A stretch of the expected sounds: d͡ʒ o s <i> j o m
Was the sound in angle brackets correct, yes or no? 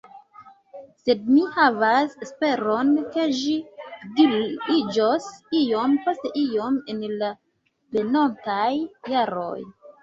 yes